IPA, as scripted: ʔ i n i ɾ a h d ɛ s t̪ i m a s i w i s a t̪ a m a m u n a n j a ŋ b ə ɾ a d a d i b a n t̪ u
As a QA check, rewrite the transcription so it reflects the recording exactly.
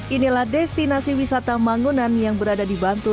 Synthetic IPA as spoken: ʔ i n i l a h d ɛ s t̪ i n a s i w i s a t̪ a m a ŋ u n a n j a ŋ b ə ɾ a d a d i b a n t̪ u